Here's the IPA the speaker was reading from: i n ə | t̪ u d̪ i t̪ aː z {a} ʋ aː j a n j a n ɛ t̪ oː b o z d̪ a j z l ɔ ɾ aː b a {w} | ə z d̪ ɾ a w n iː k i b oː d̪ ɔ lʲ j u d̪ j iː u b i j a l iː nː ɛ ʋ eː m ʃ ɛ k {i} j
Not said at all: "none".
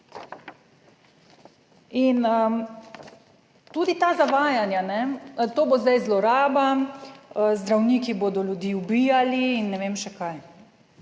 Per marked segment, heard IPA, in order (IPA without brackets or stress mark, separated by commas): a, none, a